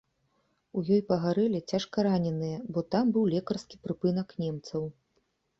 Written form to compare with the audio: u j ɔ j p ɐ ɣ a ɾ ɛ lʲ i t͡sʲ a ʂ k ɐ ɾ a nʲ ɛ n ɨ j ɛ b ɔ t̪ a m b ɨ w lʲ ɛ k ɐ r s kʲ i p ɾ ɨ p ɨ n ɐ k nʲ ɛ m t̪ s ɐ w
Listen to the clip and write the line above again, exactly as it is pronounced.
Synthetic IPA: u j ɔ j p ɐ ɣ a ɾ ɛ lʲ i t͡sʲ a ʂ k ɐ ɾ a nʲ ɛ n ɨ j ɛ b ɔ t̪ a m b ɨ w lʲ ɛ k ɐ r s kʲ i p ɾ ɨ p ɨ n ɐ k nʲ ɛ m t̪ s ɐ w